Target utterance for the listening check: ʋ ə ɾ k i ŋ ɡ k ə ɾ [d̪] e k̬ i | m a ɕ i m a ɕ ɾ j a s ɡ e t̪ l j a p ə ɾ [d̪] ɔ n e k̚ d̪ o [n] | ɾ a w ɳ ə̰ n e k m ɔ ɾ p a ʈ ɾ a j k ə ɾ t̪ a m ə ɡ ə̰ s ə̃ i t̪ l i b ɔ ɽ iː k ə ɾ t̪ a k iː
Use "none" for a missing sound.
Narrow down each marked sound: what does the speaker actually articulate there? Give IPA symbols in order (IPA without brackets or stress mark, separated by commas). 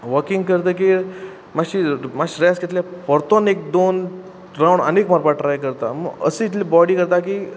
t̪, t̪, n